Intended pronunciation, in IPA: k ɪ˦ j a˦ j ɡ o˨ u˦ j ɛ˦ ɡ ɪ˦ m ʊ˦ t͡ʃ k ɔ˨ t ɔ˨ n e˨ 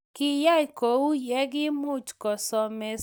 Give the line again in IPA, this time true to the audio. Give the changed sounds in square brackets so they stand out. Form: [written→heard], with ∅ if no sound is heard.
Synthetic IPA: k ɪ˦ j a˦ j [ɡ→k] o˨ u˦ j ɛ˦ ɡ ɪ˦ m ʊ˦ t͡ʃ k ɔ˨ [t→s] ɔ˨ [n→m] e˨